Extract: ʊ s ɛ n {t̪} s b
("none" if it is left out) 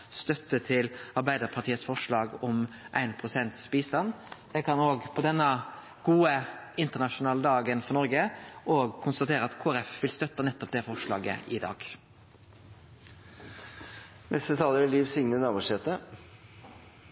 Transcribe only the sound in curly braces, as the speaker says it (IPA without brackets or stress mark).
t̪